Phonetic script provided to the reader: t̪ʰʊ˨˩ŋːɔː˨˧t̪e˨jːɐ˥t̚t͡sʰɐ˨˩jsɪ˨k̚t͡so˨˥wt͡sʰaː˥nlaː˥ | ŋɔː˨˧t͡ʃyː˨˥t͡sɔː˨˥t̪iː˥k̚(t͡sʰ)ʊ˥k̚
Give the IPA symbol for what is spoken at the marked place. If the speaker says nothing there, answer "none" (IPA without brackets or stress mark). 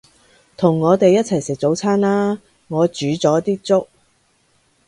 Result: t͡s